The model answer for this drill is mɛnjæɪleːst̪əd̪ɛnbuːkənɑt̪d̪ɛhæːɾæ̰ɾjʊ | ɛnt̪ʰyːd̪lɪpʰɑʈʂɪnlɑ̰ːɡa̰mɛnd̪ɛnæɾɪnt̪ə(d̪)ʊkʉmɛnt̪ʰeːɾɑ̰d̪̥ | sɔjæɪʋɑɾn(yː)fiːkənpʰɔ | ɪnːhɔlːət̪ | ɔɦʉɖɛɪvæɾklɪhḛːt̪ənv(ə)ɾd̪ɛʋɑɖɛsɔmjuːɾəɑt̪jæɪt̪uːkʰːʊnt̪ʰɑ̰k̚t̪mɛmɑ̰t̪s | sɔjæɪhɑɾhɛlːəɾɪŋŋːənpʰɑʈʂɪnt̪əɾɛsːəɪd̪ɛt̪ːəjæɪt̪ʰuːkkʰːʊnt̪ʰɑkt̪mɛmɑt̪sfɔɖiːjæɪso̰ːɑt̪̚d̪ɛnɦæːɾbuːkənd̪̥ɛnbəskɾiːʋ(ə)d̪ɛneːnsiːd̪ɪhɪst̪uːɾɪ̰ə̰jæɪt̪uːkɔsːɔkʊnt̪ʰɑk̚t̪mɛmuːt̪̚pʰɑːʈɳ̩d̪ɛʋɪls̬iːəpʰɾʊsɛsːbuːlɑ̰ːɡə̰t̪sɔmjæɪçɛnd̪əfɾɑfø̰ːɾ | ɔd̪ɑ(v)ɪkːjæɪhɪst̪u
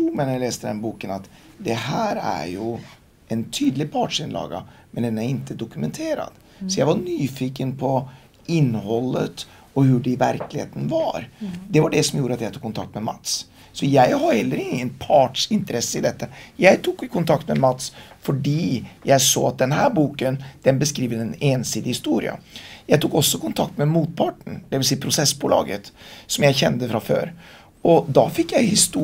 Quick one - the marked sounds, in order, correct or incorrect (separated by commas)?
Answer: correct, correct, incorrect, correct, incorrect